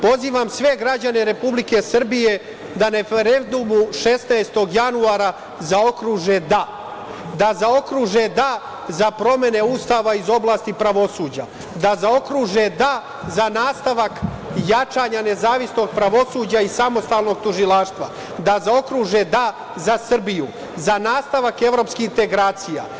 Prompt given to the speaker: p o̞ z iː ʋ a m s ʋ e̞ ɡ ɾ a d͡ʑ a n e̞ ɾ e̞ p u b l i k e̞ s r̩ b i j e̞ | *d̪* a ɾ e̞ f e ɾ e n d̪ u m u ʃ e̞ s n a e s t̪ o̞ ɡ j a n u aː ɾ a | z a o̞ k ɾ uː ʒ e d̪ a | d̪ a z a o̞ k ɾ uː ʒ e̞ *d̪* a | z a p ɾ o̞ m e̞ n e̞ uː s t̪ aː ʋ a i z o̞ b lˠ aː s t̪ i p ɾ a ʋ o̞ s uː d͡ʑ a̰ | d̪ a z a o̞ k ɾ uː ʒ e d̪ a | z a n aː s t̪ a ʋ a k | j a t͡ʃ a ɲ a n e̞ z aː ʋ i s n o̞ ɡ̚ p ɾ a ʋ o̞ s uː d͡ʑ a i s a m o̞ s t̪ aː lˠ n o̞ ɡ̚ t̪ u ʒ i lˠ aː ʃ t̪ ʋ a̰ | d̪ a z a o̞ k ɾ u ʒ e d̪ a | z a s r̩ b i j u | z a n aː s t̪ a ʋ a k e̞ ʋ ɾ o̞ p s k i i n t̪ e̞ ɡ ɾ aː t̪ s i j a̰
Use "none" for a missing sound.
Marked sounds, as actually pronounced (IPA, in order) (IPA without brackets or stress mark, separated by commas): d̪, d̪